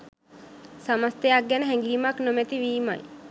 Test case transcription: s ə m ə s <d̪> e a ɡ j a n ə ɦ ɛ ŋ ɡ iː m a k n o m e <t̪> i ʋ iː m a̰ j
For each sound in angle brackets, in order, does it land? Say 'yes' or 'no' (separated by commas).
no, yes